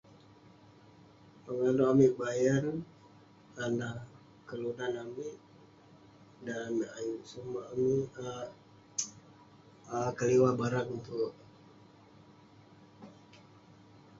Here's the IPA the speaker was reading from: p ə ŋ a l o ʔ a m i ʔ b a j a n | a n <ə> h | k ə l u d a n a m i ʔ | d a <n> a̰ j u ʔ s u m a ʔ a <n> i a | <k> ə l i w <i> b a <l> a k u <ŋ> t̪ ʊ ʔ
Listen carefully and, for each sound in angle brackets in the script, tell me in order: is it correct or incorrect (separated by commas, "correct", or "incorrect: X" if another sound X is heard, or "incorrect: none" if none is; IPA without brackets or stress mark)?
incorrect: a, correct, incorrect: m, correct, incorrect: a, incorrect: ɾ, incorrect: n